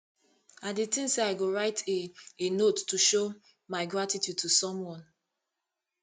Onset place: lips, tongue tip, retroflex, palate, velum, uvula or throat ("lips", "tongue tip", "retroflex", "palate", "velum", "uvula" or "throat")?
tongue tip